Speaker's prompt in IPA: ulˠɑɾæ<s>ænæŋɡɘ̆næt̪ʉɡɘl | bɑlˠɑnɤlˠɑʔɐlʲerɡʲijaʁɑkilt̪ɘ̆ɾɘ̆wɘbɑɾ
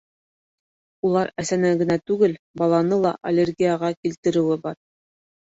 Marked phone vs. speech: correct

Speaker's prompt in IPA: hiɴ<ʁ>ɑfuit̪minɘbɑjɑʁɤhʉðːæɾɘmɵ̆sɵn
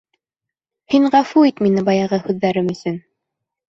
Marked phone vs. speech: correct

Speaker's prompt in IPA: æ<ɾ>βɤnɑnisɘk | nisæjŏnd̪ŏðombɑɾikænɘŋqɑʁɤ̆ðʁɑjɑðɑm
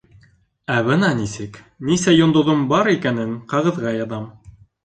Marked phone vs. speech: incorrect: none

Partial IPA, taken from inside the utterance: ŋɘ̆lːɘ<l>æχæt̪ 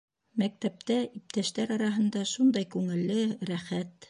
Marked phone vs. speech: incorrect: ɾ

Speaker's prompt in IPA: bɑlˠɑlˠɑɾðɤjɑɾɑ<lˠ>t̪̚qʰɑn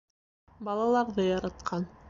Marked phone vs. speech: incorrect: none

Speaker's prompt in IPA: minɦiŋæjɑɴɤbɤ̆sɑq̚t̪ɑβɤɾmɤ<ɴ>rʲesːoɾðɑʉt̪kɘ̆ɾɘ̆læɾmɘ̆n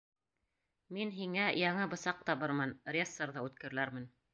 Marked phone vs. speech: incorrect: n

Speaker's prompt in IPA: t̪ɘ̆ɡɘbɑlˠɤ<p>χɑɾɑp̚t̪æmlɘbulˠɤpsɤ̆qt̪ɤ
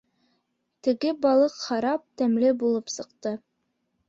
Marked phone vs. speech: incorrect: q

